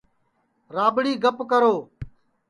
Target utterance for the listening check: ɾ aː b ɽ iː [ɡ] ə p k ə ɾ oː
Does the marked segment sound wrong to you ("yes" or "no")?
no